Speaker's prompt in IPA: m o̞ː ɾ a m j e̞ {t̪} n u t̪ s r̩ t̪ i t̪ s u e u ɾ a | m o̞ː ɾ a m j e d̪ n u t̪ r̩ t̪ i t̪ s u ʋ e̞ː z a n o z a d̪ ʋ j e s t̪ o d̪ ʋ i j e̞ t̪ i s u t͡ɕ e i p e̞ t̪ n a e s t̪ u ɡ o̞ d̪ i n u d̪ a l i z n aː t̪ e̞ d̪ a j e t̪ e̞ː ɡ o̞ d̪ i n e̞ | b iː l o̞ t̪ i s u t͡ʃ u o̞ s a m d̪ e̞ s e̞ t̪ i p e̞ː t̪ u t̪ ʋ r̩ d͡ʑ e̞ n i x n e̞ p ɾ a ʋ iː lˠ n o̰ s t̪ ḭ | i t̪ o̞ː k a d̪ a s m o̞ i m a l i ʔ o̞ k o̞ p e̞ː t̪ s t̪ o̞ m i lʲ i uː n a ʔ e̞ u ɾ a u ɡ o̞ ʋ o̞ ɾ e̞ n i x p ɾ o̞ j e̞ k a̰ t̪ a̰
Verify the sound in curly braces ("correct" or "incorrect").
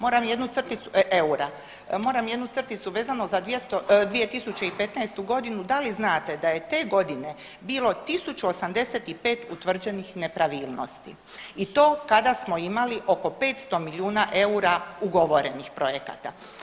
incorrect